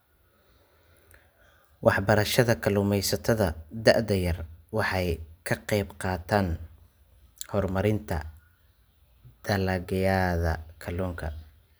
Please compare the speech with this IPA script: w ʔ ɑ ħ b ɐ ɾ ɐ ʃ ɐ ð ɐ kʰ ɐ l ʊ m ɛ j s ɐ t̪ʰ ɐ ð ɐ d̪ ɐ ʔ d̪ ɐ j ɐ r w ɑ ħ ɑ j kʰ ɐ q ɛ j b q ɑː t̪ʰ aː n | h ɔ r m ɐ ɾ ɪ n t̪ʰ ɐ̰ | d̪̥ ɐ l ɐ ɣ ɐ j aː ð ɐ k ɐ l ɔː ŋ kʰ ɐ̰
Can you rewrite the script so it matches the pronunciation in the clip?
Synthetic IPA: w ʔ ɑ ħ b ɐ ɾ ɐ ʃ ɐ ð ɐ kʰ ɐ l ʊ m ɛ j s ɐ t̪ʰ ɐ ð ɐ d̪ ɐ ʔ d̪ ɐ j ɐ r w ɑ ħ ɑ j kʰ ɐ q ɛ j b q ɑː t̪ʰ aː n | h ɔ r m ɐ ɾ ɪ n t̪ʰ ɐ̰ | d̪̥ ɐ l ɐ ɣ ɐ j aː ð ɐ kʰ ɐ l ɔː ŋ kʰ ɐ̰